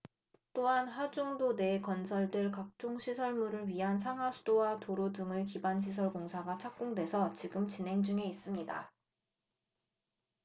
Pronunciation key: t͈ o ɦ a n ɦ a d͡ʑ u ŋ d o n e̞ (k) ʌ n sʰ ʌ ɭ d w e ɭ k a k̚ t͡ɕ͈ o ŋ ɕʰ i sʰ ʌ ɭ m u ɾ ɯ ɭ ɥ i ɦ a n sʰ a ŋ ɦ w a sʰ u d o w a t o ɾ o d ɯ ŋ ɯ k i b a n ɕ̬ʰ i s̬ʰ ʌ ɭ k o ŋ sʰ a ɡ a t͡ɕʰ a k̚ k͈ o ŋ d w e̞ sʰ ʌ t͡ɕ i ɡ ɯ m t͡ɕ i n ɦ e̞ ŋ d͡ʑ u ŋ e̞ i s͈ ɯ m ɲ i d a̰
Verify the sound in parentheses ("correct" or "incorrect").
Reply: correct